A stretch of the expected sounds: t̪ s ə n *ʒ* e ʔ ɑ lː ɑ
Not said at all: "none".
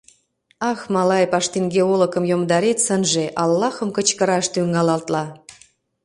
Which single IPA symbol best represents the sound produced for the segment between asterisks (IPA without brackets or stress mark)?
ʒ